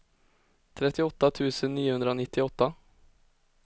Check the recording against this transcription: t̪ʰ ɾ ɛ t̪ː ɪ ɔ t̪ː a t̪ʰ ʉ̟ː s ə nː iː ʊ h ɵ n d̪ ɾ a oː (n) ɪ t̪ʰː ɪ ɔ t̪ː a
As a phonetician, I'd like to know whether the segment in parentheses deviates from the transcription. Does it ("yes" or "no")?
no